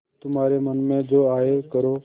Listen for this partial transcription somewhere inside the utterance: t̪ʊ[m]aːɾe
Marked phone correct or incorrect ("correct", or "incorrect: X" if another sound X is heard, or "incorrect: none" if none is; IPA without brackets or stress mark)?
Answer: correct